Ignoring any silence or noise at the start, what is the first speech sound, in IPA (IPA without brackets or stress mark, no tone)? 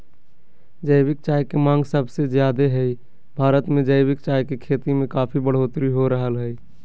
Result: d͡ʒ